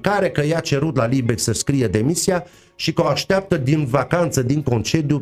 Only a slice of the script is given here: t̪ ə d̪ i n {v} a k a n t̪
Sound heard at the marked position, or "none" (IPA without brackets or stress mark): v